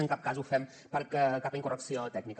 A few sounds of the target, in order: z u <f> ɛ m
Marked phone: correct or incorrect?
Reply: correct